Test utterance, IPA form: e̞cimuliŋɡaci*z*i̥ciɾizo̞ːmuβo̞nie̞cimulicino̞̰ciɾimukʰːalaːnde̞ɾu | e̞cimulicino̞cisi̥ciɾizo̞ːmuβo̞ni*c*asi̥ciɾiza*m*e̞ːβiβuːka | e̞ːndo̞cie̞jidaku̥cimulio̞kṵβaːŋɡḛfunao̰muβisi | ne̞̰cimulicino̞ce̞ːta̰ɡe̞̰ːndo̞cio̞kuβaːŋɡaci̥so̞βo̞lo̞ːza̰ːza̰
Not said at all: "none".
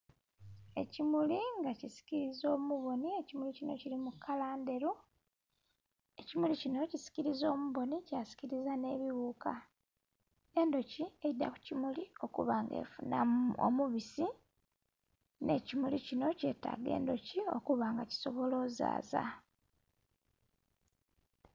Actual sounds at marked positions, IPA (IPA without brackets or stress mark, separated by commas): s, c, n